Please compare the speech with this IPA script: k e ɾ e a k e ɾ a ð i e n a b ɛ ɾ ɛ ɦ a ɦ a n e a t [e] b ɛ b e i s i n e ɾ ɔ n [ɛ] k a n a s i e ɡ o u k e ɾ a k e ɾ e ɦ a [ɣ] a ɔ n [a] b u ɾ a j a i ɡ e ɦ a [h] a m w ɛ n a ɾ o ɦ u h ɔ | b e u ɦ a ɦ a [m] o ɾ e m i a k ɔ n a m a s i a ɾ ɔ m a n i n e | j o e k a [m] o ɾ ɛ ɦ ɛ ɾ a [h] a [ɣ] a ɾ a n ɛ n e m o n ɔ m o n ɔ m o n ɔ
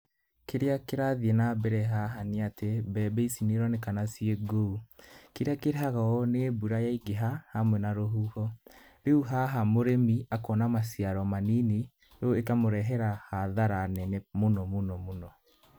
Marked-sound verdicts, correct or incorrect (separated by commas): correct, incorrect, correct, incorrect, correct, correct, correct, correct, incorrect